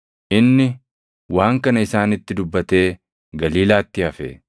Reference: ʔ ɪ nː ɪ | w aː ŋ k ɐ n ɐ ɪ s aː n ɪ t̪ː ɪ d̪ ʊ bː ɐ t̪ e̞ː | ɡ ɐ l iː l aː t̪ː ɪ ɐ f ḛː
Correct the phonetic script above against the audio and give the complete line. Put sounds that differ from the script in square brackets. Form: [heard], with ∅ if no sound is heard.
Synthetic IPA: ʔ ɪ nː ɪ | w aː ŋ k ɐ n ɐ ɪ s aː n ɪ t̪ː ɪ d̪ ʊ bː ɐ t̪ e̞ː | ɡ ɐ l iː l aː t̪ː ɪ ɐ f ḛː

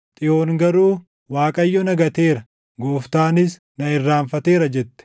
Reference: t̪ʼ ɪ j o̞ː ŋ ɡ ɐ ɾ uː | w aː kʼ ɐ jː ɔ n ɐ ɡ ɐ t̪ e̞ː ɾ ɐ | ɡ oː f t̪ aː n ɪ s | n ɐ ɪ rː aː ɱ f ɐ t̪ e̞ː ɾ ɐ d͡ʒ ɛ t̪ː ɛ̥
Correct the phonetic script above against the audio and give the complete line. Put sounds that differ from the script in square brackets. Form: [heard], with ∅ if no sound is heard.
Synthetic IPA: t̪ʼ ɪ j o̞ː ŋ ɡ ɐ ɾ uː | w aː kʼ ɐ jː ɔ n ɐ ɡ ɐ t̪ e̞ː ɾ ɐ | ɡ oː f t̪ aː n ɪ s | n ɐ ɪ rː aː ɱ f ɐ t̪ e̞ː ɾ ɐ d͡ʒ ɛ t̪ː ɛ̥

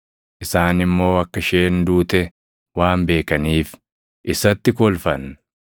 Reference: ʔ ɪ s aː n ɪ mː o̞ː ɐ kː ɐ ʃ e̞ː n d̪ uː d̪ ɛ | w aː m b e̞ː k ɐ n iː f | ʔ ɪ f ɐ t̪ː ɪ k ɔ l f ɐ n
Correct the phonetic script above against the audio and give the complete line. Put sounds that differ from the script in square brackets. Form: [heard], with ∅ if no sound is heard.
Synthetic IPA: ʔ ɪ s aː n ɪ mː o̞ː ɐ kː ɐ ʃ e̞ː n d̪ uː [t̪] ɛ | w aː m b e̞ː k ɐ n iː f | ʔ ɪ [s] ɐ t̪ː ɪ k ɔ l f ɐ n

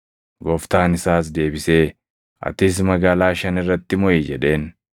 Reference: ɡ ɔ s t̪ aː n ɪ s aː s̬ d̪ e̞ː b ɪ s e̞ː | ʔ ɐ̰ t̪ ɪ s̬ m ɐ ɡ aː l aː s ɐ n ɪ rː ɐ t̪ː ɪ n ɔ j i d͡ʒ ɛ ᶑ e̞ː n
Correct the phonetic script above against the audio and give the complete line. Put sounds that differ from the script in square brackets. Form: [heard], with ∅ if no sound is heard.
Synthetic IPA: ɡ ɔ [f] t̪ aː n ɪ s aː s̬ d̪ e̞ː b ɪ s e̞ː | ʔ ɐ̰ t̪ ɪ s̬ m ɐ ɡ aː l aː [ʃ] ɐ n ɪ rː ɐ t̪ː ɪ [m] ɔ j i d͡ʒ ɛ ᶑ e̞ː n

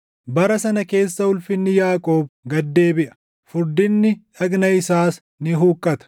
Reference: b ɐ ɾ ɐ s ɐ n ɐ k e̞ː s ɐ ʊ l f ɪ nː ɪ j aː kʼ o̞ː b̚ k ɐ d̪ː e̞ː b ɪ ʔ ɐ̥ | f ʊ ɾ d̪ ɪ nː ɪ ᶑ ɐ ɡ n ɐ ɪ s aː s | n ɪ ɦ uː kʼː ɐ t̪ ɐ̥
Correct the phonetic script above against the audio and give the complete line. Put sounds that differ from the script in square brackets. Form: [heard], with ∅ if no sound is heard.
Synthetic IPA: b ɐ ɾ ɐ s ɐ n ɐ k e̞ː [sː] ɐ ʊ l f ɪ nː ɪ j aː kʼ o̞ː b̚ [ɡ] ɐ d̪ː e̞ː b ɪ ʔ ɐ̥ | f ʊ ɾ d̪ ɪ nː ɪ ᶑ ɐ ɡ n ɐ ɪ s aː s | n ɪ ɦ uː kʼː ɐ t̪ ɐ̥

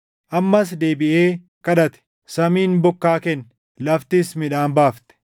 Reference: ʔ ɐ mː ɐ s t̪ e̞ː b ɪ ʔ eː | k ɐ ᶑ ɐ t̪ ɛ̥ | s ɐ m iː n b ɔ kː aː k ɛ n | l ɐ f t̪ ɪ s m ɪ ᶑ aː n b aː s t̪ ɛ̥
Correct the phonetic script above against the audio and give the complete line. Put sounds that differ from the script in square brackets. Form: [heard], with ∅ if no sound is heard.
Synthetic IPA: ʔ ɐ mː ɐ s [d̪] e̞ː b ɪ ʔ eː | k ɐ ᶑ ɐ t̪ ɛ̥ | s ɐ m iː n b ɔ kː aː k ɛ n | l ɐ f t̪ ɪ s m ɪ ᶑ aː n b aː [f] t̪ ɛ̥

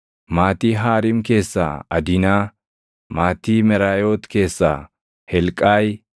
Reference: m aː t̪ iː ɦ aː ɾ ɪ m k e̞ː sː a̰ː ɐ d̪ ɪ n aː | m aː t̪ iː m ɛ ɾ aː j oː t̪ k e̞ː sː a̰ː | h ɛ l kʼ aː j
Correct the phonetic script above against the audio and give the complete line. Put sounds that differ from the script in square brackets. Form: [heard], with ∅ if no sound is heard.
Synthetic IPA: m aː t̪ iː ɦ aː ɾ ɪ m k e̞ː sː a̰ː ɐ d̪ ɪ n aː | m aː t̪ iː m ɛ ɾ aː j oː t̪ k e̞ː sː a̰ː | h ɛ l kʼ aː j

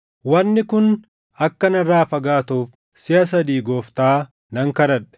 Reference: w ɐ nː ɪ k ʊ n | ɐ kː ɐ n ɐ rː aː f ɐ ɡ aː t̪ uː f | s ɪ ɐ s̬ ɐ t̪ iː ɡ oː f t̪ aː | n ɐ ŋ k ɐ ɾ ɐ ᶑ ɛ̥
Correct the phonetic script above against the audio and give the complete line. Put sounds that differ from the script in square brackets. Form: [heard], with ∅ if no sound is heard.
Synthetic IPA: w ɐ nː ɪ k ʊ n | ɐ kː ɐ n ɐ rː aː f ɐ ɡ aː t̪ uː f | s ɪ ɐ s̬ ɐ [d̪] iː ɡ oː f t̪ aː | n ɐ ŋ k ɐ ɾ ɐ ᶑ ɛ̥

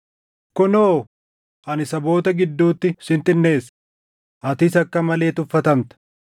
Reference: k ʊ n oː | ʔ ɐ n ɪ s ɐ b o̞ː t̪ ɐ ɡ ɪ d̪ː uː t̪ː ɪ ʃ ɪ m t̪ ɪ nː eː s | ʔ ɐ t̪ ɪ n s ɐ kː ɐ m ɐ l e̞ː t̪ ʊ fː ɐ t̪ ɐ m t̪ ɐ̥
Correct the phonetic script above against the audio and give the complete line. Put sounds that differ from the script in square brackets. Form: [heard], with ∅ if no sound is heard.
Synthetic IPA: k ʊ n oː | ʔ ɐ n ɪ s ɐ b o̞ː t̪ ɐ ɡ ɪ d̪ː uː t̪ː ɪ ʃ ɪ [n] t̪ ɪ nː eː s | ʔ ɐ t̪ ɪ [∅] s ɐ kː ɐ m ɐ l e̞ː t̪ ʊ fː ɐ t̪ ɐ m t̪ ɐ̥

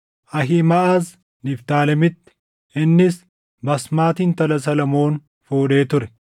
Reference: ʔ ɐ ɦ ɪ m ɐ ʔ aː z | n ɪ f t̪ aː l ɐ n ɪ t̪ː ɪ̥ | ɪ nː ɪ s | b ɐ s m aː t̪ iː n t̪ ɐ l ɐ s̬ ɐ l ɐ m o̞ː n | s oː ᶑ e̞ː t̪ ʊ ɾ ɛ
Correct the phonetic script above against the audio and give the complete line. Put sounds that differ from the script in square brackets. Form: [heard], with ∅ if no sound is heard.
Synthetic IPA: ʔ ɐ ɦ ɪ m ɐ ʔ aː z | n ɪ f t̪ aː l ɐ [m] ɪ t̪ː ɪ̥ | ɪ nː ɪ s | b ɐ s m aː t̪ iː n t̪ ɐ l ɐ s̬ ɐ l ɐ m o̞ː n | [f] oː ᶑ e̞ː t̪ ʊ ɾ ɛ

